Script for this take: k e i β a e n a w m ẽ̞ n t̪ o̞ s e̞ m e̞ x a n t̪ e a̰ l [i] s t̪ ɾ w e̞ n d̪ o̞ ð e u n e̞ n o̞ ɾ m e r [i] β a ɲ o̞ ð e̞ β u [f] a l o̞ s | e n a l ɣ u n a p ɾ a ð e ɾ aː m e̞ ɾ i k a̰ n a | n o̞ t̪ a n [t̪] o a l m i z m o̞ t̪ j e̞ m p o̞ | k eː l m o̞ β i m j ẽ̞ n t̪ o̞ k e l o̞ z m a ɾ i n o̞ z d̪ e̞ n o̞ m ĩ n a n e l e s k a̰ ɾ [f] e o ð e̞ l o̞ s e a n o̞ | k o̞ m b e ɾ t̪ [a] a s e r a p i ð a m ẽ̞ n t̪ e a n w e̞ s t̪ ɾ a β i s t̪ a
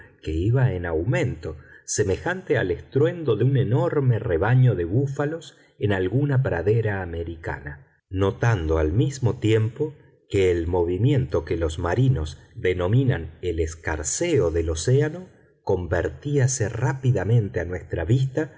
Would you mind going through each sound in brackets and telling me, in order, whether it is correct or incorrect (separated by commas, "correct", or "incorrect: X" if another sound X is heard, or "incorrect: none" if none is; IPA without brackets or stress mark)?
incorrect: e, incorrect: e, correct, incorrect: d̪, incorrect: s, incorrect: i